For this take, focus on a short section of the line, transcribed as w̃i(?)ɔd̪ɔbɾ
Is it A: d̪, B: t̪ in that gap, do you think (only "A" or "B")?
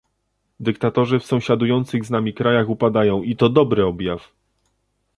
B